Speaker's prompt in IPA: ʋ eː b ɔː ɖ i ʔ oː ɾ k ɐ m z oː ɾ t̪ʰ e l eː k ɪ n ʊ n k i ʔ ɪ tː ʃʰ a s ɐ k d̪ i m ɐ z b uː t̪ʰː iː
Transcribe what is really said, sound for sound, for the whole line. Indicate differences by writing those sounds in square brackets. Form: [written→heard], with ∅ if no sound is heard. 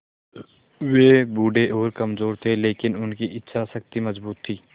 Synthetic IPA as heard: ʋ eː b [ɔː→uː] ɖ [i→e] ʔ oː ɾ k ɐ m z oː ɾ t̪ʰ e l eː k ɪ n ʊ n k i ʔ ɪ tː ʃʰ a s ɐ k [d̪→t̪] i m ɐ z b uː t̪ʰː iː